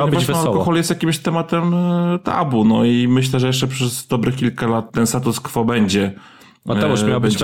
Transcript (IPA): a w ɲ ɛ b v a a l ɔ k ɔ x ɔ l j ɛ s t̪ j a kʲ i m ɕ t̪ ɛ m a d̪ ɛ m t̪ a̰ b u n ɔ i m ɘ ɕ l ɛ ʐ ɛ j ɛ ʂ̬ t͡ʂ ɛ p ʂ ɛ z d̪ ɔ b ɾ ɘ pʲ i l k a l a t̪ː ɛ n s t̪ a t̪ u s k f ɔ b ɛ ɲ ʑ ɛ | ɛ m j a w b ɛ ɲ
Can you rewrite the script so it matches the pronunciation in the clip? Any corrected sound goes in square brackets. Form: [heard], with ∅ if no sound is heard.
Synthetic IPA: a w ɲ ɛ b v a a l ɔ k ɔ x ɔ l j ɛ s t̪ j a kʲ i m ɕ t̪ ɛ m a [t̪] ɛ m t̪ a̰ b u n ɔ i m ɘ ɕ l ɛ ʐ ɛ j ɛ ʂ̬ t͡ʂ ɛ p ʂ ɛ z d̪ ɔ b ɾ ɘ [kʲ] i l k a l a t̪ː ɛ n s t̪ a t̪ u s k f ɔ b ɛ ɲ [d͡ʑ] ɛ | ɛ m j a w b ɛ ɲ